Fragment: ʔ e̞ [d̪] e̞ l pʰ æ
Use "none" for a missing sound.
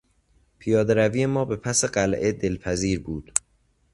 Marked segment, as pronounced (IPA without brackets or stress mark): d̪